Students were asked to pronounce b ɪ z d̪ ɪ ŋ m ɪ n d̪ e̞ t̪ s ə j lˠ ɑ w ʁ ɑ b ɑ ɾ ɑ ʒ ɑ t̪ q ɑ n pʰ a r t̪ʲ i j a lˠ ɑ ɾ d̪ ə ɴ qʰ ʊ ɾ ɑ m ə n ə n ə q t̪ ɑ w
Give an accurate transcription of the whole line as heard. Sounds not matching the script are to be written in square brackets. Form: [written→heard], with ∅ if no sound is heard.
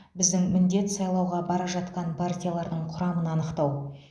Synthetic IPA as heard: b ɪ z d̪ ɪ ŋ m ɪ n d̪ e̞ t̪ s [ə→ɑ] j lˠ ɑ w ʁ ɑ b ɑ ɾ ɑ ʒ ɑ t̪ q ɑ n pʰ a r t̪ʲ i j a lˠ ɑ ɾ d̪ ə ɴ qʰ ʊ ɾ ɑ m ə n [ə→ɑ] n ə q t̪ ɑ w